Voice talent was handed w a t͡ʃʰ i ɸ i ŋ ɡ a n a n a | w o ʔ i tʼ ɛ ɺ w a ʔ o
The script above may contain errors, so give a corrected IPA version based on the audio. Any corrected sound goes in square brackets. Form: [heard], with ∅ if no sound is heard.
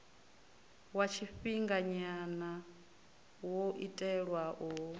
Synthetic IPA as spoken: w a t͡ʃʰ i ɸ i ŋ ɡ a [ɲ] a n a | w o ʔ i tʼ ɛ ɺ w a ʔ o